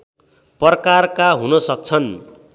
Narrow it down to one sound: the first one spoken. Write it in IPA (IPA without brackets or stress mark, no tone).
p